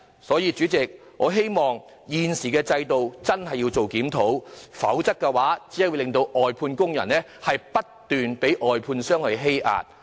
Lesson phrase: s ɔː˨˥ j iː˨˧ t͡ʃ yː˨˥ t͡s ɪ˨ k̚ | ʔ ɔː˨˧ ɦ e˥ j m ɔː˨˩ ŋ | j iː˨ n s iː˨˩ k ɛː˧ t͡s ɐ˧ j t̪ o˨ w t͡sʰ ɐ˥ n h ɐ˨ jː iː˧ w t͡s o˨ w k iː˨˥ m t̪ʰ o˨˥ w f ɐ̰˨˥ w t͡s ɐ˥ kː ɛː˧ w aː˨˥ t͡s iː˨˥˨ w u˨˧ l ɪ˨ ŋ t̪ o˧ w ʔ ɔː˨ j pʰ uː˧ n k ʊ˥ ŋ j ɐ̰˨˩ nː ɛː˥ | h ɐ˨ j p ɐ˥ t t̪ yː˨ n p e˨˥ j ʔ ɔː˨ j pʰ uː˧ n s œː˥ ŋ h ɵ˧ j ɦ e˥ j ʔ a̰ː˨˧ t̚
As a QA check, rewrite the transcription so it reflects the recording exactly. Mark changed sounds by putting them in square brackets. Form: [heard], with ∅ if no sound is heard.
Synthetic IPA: s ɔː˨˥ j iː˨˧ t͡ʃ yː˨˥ t͡s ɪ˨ k̚ | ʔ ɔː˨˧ ɦ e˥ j m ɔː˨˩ ŋ | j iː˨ n s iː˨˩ k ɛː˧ t͡s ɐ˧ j t̪ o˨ w [t͡s] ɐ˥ n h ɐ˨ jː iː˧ w t͡s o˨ w k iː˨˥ m t̪ʰ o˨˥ w f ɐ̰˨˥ w t͡s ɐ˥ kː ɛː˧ w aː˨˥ t͡s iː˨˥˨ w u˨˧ l ɪ˨ ŋ t̪ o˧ w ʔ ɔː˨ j pʰ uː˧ n k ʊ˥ ŋ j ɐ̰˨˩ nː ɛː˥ | h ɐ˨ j p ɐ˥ t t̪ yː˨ n p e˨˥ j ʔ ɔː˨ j pʰ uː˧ n s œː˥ ŋ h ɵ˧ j ɦ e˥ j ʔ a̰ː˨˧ t̚

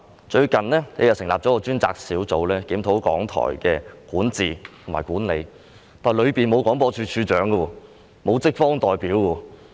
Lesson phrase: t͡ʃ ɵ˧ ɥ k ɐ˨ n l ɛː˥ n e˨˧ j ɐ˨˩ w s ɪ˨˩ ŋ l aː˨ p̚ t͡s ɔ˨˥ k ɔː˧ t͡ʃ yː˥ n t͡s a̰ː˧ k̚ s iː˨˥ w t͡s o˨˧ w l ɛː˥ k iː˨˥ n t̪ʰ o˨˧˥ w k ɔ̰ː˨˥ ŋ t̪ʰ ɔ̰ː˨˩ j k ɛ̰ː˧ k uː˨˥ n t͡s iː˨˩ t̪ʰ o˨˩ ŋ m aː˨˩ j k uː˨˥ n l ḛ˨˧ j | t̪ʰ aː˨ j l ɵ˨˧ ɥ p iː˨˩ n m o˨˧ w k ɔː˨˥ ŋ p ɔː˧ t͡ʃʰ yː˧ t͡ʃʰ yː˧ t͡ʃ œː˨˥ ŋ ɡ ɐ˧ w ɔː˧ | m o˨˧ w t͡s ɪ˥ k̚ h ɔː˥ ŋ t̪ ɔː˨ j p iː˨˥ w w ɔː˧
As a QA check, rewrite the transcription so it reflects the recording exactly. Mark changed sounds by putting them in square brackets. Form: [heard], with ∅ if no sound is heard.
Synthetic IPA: t͡ʃ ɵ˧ ɥ k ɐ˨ n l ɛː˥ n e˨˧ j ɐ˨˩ w s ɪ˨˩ ŋ l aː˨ p̚ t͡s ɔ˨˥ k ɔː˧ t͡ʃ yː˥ n t͡s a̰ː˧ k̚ s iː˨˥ w t͡s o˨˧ w l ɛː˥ k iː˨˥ [m] t̪ʰ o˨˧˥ w k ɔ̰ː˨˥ ŋ t̪ʰ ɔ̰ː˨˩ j k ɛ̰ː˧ k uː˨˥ n t͡s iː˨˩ t̪ʰ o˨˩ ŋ m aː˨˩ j k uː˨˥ n l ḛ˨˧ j | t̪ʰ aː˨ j l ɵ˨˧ ɥ p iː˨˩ n m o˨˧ w k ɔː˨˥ ŋ p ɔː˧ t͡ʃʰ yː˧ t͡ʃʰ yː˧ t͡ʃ œː˨˥ ŋ ɡ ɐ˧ w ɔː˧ | m o˨˧ w t͡s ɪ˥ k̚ [f] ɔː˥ ŋ t̪ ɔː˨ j p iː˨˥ w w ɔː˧

